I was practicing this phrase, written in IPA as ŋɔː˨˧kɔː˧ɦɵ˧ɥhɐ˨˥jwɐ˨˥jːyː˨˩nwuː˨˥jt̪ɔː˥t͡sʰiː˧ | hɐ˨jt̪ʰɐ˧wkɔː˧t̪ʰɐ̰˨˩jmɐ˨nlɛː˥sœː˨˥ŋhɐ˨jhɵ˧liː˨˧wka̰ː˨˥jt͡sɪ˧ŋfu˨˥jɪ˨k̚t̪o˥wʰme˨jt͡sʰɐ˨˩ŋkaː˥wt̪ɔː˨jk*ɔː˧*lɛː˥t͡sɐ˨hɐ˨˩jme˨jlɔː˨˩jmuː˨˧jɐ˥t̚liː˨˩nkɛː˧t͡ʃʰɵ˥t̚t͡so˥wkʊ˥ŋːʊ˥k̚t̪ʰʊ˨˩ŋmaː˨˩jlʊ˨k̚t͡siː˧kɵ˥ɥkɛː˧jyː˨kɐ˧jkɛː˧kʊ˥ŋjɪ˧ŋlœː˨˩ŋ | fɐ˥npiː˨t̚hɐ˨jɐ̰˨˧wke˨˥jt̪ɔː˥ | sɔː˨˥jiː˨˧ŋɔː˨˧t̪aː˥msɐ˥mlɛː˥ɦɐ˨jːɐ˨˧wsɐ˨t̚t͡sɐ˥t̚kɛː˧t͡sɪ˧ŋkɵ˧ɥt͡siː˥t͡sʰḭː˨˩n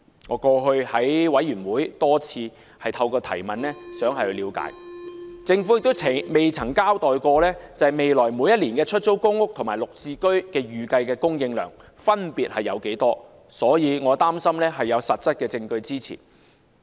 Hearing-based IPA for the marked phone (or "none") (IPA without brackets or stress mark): ɔː˧